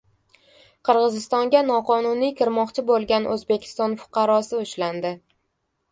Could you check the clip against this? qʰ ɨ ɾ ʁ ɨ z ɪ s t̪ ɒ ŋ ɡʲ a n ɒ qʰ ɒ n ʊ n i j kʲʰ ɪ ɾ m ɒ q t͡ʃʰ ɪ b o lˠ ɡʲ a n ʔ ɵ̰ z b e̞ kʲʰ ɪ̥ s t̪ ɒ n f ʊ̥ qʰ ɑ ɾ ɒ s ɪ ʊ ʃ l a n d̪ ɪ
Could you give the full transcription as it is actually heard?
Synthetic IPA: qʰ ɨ ɾ ʁ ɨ z ɪ s t̪ ɒ ŋ ɡʲ a n ɒ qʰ ɒ n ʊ n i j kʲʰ ɪ ɾ m ɒ q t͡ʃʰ ɪ b o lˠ ɡʲ a n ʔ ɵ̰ z b e̞ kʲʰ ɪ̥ s t̪ ɒ n f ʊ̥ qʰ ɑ ɾ ɒ s ɪ ʊ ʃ l a n d̪ ɪ

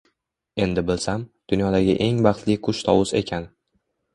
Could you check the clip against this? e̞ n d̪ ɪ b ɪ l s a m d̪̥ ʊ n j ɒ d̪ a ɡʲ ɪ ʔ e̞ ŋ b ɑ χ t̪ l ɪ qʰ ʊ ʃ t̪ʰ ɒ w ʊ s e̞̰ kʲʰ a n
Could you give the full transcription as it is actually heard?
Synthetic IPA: e̞ n d̪ ɪ b ɪ l s a m d̪̥ ʊ n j ɒ d̪ a ɡʲ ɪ ʔ e̞ ŋ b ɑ χ t̪ l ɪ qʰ ʊ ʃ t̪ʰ ɒ w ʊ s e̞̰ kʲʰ a n

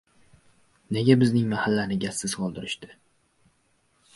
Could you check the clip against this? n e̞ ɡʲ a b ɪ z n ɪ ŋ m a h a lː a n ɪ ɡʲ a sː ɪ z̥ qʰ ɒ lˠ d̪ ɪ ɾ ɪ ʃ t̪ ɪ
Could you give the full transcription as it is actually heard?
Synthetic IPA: n e̞ ɡʲ a b ɪ z n ɪ ŋ m a h a lː a n ɪ ɡʲ a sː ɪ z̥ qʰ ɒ lˠ d̪ ɪ ɾ ɪ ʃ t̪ ɪ

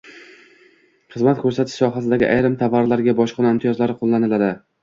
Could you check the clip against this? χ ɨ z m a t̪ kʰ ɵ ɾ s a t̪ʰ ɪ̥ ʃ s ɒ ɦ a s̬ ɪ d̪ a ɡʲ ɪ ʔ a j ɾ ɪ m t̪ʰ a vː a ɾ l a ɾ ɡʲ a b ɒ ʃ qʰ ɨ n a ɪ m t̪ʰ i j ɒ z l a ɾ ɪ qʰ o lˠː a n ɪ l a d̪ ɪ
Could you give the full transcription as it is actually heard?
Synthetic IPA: χ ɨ z m a t̪ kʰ ɵ ɾ s a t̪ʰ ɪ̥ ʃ s ɒ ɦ a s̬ ɪ d̪ a ɡʲ ɪ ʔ a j ɾ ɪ m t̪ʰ a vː a ɾ l a ɾ ɡʲ a b ɒ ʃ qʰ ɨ n a ɪ m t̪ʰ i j ɒ z l a ɾ ɪ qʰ o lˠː a n ɪ l a d̪ ɪ

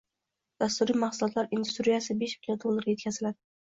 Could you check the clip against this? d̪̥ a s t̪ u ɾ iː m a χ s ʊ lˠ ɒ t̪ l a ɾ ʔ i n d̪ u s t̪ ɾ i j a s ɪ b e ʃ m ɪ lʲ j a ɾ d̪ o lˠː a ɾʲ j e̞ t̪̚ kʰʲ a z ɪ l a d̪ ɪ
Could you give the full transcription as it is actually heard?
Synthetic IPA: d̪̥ a s t̪ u ɾ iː m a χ s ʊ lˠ ɒ t̪ l a ɾ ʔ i n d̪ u s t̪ ɾ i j a s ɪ b e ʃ m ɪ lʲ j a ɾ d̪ o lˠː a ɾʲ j e̞ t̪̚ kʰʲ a z ɪ l a d̪ ɪ

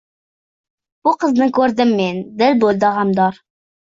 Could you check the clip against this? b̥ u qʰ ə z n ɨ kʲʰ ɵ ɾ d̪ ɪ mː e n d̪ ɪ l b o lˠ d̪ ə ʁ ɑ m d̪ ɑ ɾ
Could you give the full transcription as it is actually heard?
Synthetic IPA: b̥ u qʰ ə z n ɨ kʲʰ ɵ ɾ d̪ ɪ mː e n d̪ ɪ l b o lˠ d̪ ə ʁ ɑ m d̪ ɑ ɾ

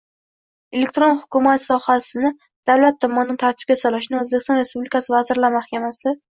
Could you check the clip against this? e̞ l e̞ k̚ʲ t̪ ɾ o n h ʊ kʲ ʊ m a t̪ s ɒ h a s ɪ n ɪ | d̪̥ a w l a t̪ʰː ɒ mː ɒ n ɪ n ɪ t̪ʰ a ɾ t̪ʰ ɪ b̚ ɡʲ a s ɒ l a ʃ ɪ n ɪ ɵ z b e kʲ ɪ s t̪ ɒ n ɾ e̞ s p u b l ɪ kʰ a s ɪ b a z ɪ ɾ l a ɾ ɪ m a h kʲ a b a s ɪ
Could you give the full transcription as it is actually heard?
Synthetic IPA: e̞ l e̞ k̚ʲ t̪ ɾ o n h ʊ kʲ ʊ m a t̪ s ɒ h a s ɪ n ɪ | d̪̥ a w l a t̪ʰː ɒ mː ɒ n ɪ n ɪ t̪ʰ a ɾ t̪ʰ ɪ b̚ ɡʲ a s ɒ l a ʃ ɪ n ɪ ɵ z b e kʲ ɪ s t̪ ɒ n ɾ e̞ s p u b l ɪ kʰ a s ɪ v a z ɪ ɾ l a ɾ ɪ m a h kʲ a m a s ɪ

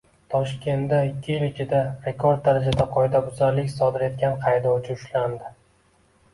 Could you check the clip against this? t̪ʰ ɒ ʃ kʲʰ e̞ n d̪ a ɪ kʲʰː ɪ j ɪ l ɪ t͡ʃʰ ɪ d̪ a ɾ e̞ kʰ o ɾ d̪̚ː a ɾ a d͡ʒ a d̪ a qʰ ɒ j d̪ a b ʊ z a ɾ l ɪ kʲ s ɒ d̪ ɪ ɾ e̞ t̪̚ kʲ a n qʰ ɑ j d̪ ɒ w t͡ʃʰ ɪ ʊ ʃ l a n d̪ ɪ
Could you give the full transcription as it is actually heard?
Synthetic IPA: t̪ʰ ɒ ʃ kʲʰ e̞ n d̪ a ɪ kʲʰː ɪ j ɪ l ɪ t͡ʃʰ ɪ d̪ a ɾ e̞ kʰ o ɾ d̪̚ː a ɾ a d͡ʒ a d̪ a qʰ ɒ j d̪ a b ʊ z a ɾ l ɪ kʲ s ɒ d̪ ɪ ɾ e̞ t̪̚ kʲ a n qʰ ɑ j d̪ ɒ w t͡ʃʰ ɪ ʊ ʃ l a n d̪ ɪ

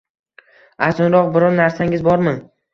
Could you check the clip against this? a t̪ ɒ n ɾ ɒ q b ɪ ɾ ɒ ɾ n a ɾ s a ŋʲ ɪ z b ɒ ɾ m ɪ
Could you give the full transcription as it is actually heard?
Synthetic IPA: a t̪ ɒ n ɾ ɒ q b ɪ ɾ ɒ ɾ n a ɾ s a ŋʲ ɪ z b ɒ ɾ m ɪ

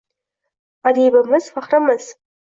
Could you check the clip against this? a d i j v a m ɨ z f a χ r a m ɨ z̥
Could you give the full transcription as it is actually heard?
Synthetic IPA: a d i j b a m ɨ z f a χ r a m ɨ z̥

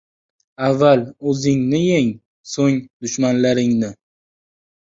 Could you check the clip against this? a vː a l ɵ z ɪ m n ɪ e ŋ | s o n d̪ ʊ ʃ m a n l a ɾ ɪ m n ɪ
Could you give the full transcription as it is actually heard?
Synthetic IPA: a vː a l ɵ z ɪ ŋ n ɪ e ŋ | s o ŋ d̪ ʊ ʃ m a n l a ɾ ɪ ŋ n ɪ

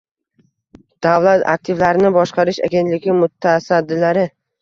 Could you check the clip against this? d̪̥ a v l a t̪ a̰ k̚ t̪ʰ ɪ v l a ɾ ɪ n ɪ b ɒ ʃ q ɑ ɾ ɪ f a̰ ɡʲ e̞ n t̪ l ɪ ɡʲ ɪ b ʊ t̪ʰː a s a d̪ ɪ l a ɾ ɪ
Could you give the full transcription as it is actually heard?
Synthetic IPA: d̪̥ a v l a t̪ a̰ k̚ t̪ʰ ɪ v l a ɾ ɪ n ɪ b ɒ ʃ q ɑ ɾ ɪ ʃ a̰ ɡʲ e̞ n t̪ l ɪ ɡʲ ɪ m ʊ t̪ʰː a s a d̪ː ɪ l a ɾ ɪ

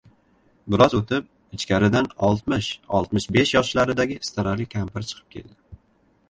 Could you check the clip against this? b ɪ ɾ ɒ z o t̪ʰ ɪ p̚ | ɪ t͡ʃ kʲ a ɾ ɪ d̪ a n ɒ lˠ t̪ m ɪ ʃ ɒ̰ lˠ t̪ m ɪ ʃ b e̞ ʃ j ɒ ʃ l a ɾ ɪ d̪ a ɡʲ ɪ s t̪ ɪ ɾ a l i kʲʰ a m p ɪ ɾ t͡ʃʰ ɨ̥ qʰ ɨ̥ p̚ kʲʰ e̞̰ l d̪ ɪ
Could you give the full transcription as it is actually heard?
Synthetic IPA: b ɪ ɾ ɒ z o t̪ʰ ɪ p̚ | ɪ t͡ʃ kʲ a ɾ ɪ d̪ a n ɒ lˠ t̪ m ɪ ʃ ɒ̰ lˠ t̪ m ɪ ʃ b e̞ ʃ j ɒ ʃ l a ɾ ɪ d̪ a ɡʲ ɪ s t̪ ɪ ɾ a l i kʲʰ a m p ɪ ɾ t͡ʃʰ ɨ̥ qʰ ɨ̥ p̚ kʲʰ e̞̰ l d̪ ɪ

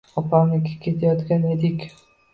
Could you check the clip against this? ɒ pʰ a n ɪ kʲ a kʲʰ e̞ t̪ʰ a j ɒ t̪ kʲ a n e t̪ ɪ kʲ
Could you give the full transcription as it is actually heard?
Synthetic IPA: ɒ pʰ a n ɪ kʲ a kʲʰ e̞ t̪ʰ a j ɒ t̪ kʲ a n e d̪ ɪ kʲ

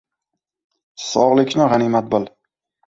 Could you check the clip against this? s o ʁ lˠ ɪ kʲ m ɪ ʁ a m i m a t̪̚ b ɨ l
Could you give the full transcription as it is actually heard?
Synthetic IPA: s ɒ ʁ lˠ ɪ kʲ n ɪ ʁ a n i m a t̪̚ b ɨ l

